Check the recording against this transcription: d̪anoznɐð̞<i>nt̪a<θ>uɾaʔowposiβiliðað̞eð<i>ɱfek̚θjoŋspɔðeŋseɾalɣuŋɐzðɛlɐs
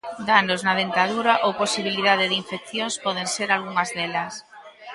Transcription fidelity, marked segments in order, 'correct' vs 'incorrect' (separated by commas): incorrect, incorrect, correct